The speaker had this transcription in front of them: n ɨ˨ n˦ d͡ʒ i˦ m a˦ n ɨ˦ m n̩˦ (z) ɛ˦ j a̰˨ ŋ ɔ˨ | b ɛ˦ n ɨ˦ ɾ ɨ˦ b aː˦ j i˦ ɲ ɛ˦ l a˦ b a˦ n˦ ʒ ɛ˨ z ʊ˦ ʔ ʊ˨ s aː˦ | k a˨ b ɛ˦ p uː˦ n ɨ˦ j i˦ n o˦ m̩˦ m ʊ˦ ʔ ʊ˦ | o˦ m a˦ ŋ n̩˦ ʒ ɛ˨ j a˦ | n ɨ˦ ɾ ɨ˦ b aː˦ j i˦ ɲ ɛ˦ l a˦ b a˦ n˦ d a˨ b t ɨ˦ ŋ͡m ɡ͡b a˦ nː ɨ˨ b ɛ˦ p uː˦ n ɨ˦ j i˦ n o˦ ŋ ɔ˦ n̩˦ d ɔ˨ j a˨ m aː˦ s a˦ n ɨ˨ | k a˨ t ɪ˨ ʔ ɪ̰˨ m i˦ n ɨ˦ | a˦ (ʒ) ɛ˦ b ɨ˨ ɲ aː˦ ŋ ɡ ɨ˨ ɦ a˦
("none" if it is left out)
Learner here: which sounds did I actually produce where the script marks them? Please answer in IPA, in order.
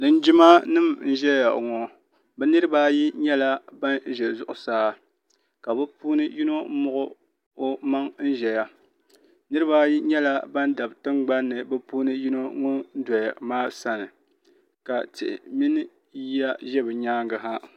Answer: ʒ, ʒ

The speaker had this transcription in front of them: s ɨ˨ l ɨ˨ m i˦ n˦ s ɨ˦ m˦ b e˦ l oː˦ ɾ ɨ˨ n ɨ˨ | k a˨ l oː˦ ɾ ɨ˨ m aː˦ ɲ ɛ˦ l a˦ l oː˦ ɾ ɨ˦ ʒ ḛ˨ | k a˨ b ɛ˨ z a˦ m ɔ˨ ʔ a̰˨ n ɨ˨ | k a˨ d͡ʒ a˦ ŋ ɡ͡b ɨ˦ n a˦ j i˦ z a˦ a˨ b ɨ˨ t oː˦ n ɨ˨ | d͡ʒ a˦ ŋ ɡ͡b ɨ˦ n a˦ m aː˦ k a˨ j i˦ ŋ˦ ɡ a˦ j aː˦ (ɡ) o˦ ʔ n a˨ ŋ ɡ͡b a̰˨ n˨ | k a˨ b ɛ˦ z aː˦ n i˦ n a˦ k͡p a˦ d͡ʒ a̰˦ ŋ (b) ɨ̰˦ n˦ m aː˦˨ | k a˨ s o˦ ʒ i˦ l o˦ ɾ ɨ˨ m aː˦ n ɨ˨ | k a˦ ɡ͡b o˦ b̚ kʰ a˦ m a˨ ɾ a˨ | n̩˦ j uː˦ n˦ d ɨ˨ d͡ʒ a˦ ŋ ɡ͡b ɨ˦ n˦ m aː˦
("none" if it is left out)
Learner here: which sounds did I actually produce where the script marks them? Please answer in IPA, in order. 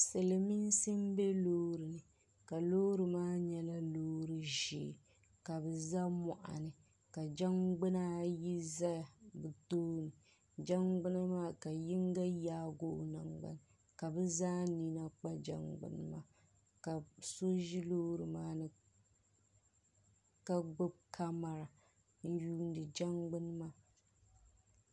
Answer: ɡ, ɡ͡b

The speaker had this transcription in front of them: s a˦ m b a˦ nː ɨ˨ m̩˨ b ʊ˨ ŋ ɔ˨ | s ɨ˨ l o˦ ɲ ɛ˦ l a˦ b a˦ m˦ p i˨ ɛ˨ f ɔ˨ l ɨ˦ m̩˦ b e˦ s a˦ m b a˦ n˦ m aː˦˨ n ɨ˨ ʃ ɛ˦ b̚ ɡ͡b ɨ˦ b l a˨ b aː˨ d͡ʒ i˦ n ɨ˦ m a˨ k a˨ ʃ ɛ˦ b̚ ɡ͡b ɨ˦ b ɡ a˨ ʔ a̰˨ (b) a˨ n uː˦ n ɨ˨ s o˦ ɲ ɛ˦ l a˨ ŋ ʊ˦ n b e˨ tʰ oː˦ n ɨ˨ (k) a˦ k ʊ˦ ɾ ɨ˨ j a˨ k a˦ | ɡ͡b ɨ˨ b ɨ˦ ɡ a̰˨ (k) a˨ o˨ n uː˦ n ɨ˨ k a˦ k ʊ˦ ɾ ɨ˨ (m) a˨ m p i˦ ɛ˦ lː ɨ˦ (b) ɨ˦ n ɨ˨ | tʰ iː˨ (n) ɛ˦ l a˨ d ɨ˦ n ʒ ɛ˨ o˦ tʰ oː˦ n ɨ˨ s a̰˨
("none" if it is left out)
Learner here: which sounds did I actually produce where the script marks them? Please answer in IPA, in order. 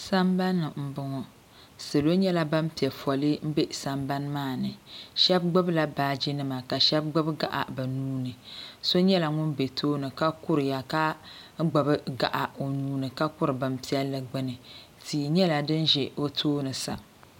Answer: b, k, ʔ, b, ɡ͡b, ɲ

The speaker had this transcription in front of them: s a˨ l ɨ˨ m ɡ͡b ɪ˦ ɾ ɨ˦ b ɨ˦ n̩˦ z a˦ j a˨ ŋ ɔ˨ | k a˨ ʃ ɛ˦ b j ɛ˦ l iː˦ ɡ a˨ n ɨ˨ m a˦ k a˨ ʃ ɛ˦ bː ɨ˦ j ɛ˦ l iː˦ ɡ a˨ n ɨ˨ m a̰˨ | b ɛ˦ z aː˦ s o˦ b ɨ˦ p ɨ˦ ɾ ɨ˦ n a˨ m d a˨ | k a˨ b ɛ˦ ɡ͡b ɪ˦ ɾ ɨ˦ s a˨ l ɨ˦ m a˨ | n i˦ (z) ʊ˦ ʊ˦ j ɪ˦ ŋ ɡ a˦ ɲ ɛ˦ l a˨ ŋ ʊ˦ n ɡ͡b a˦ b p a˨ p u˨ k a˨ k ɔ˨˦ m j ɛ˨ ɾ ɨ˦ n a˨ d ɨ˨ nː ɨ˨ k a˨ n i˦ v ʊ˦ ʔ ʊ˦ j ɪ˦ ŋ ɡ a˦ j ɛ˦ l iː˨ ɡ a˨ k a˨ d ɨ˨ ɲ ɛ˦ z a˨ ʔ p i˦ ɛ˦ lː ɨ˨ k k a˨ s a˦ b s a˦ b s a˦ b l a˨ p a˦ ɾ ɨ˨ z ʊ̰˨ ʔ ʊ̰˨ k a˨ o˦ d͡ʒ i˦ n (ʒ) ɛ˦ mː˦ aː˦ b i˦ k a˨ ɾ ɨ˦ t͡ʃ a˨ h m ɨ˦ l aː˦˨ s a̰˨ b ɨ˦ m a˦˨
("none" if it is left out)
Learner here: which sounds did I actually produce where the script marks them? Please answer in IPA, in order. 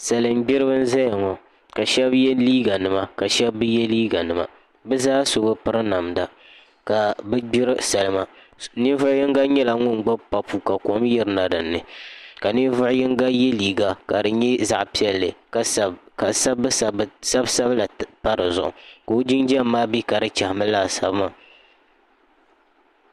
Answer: v, d͡ʒ

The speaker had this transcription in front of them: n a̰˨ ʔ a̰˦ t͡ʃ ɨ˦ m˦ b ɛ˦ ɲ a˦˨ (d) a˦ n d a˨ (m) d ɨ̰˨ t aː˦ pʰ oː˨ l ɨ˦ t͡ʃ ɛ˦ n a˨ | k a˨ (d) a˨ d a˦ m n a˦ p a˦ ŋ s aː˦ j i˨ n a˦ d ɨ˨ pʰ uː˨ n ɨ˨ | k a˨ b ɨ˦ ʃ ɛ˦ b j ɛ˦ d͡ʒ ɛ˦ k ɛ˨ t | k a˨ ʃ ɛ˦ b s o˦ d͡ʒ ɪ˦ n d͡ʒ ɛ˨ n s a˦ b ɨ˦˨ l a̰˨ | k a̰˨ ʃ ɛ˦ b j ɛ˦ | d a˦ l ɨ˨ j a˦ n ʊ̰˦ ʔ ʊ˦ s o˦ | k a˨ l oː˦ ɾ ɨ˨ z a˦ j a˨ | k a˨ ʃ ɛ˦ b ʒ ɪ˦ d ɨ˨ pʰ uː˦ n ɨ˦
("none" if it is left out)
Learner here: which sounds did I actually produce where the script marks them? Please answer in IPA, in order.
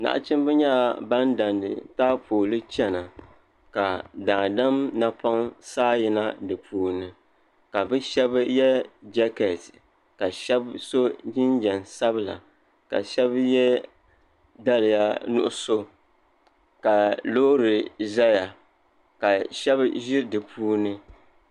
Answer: b, n, d

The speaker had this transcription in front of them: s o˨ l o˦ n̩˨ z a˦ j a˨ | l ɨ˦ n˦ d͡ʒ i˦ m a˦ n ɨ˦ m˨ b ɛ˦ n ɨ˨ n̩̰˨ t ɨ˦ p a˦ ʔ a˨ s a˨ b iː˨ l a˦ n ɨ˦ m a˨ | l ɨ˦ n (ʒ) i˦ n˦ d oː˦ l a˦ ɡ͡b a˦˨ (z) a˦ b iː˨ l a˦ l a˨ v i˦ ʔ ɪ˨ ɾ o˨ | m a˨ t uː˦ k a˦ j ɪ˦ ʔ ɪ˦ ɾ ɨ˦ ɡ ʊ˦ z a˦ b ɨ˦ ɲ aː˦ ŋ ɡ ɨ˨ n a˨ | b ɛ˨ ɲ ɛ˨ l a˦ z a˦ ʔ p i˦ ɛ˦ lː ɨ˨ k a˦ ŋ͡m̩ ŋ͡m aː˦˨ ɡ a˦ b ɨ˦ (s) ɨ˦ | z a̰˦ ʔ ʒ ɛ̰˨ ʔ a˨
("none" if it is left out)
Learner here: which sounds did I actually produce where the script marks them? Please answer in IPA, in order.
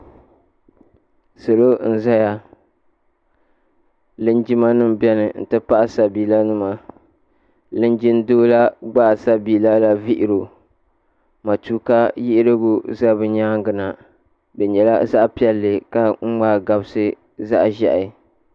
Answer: d͡ʒ, s, s

